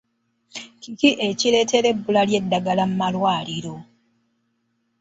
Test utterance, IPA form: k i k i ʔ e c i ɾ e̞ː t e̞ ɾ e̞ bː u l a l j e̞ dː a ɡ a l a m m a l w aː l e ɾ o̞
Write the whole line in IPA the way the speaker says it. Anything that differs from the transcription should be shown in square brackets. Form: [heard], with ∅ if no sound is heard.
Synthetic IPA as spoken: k i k i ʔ e c i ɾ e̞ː t e̞ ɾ e̞ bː u l a l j e̞ dː a ɡ a l a m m a l w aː l [i] ɾ o̞